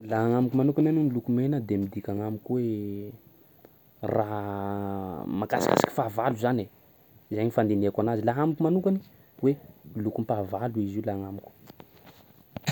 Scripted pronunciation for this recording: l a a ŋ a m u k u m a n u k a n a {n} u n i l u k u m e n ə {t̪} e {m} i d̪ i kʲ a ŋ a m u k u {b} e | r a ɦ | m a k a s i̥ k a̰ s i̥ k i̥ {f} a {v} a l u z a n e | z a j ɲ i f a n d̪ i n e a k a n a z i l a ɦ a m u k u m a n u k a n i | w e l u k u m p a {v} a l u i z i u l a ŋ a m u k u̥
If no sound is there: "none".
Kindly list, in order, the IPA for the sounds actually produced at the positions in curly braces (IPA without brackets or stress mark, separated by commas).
n, d̪, m, w, f, v, v